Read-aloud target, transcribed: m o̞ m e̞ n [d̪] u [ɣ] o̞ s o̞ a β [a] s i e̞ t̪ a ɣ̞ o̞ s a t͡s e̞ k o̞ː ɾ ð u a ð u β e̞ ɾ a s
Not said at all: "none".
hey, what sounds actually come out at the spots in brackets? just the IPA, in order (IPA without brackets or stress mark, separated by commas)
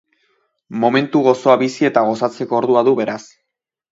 t̪, ɣ, i